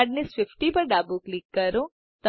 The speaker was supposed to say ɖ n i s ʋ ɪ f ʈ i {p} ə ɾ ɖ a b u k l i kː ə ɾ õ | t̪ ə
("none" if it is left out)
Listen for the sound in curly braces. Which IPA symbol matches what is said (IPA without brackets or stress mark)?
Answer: p